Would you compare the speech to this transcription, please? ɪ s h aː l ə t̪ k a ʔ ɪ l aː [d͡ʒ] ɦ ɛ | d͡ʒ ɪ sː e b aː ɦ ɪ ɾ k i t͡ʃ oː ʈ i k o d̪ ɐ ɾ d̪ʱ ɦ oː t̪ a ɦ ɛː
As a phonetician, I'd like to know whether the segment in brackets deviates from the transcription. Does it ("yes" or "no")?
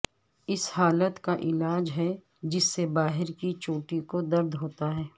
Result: no